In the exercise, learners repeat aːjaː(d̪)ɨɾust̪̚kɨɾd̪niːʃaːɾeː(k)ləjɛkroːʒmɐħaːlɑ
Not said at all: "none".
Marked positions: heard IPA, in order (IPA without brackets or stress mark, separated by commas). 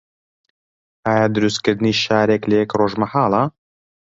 d̪, k